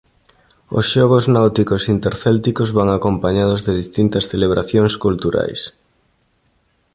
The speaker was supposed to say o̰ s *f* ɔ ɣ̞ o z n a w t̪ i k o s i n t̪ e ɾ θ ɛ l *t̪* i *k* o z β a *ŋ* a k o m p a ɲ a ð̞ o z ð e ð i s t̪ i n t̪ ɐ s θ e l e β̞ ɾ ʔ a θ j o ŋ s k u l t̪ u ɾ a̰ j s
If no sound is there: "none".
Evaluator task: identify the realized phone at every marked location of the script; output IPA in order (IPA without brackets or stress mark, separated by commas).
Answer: ʃ, t̪, k, ŋ